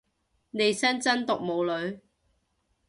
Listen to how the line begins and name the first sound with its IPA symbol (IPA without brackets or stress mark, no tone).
n